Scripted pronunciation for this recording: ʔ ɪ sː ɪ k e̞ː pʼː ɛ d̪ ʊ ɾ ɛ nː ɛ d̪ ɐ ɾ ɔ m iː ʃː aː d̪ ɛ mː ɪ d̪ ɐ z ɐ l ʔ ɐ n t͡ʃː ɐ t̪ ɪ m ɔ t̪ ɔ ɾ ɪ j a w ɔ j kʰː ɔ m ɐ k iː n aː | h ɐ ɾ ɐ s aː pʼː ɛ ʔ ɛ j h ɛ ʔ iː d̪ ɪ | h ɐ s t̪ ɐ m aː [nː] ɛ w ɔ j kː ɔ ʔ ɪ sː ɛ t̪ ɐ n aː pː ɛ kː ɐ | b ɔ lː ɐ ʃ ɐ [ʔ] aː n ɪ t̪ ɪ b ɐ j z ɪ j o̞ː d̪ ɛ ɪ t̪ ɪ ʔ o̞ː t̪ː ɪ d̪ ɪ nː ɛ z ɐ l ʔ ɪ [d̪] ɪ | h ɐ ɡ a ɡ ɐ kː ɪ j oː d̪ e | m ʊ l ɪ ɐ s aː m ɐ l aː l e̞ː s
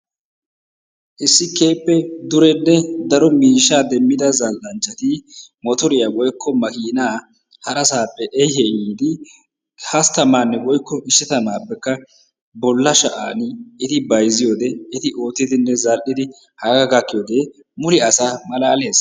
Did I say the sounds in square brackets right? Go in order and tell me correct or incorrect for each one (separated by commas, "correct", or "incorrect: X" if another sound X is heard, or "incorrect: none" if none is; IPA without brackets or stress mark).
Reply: correct, correct, correct